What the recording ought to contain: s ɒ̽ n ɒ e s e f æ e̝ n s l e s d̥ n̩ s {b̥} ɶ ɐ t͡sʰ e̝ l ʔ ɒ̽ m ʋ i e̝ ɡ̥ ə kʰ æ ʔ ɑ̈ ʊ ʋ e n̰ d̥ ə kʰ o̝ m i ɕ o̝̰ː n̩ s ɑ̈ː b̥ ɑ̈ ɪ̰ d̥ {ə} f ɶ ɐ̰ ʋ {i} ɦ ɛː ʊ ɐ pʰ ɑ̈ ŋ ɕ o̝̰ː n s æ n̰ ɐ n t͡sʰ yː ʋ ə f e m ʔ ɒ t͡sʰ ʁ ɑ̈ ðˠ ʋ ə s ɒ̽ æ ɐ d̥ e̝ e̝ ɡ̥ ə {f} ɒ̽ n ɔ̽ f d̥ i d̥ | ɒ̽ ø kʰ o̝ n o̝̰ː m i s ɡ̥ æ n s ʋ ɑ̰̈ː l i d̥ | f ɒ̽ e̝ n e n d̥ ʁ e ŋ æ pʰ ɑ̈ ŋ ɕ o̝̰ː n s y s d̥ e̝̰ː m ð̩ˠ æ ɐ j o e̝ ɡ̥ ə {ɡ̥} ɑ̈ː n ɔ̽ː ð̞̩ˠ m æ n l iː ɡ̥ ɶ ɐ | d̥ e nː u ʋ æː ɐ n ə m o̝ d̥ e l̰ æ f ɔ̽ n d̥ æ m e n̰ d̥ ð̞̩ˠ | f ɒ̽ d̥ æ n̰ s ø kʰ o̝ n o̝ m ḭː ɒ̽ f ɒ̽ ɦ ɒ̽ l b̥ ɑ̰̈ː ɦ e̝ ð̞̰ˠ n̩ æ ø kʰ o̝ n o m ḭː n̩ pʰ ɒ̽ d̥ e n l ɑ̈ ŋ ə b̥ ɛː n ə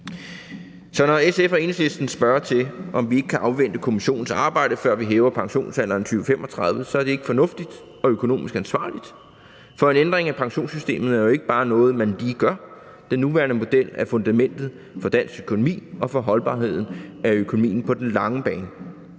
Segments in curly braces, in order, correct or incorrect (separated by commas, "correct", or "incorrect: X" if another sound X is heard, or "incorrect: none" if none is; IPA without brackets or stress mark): correct, correct, correct, correct, incorrect: b̥